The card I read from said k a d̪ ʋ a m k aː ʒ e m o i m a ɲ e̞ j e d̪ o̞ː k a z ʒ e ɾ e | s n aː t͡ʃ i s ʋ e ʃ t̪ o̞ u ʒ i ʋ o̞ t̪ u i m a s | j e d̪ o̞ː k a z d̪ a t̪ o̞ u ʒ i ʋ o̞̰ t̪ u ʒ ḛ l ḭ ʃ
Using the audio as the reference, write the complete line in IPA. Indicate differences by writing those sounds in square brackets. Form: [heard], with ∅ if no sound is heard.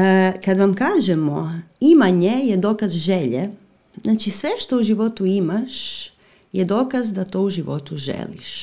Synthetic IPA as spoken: k a d̪ ʋ a m k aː ʒ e m o i m a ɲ e̞ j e d̪ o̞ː k a z ʒ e [ʎ] e | [z] n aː t͡ʃ i s ʋ e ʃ t̪ o̞ u ʒ i ʋ o̞ t̪ u i m a [ʃ] | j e d̪ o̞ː k a z d̪ a t̪ o̞ u ʒ i ʋ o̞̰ t̪ u ʒ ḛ l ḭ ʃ